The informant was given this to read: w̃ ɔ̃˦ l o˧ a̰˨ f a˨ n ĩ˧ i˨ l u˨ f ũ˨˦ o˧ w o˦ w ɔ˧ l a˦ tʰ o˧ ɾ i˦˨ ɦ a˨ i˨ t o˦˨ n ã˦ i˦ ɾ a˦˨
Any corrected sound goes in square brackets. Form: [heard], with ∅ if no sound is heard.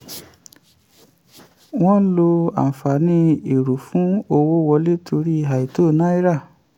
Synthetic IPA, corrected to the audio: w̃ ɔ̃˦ l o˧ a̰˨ f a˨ n ĩ˧ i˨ [ɾ] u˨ f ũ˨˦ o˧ w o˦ w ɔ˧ l [e˦] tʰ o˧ ɾ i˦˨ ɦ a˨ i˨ t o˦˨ n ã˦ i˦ ɾ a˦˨